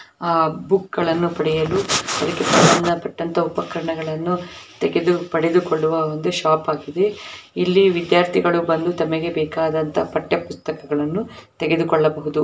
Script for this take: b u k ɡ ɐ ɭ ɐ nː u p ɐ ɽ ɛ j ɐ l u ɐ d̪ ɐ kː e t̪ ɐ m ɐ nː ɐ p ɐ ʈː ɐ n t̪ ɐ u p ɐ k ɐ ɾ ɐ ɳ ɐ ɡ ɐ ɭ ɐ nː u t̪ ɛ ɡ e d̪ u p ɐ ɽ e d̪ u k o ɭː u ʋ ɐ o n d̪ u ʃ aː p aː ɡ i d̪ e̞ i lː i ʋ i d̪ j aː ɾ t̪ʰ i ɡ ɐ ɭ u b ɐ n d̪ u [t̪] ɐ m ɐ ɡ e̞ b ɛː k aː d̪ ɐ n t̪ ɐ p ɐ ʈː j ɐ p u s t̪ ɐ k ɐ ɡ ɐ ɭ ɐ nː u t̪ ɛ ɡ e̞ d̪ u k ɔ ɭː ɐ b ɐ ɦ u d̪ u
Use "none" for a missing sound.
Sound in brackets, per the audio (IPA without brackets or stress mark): t̪